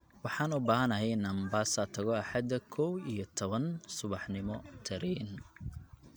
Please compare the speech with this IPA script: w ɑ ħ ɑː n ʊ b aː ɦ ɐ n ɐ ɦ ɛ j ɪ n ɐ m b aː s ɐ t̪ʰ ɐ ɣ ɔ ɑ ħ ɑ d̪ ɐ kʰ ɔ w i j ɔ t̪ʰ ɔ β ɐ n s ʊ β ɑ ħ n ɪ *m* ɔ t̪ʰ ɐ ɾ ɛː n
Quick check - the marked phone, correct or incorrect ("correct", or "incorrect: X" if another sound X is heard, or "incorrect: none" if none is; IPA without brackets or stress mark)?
correct